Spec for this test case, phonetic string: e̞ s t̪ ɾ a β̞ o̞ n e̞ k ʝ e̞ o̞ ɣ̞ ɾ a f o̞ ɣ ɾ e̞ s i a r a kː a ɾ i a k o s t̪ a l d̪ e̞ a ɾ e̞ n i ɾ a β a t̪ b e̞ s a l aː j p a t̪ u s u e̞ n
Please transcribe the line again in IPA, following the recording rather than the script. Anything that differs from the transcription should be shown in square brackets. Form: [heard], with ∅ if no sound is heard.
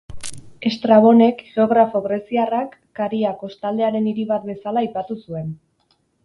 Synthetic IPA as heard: e̞ s t̪ ɾ a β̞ o̞ n e̞ k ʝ e̞ o̞ ɣ̞ ɾ a f o̞ ɣ ɾ e̞ s i a r a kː a ɾ i a k o s t̪ a l d̪ e̞ a ɾ e̞ n i ɾ [i] β a t̪ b e̞ s a l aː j p a t̪ u s u e̞ n